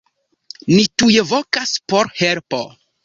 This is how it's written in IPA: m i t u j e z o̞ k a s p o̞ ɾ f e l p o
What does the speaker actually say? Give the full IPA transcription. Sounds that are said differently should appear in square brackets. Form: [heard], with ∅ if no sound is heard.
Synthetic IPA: [n] i t u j e [v] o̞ k a s p o̞ ɾ [h] e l p o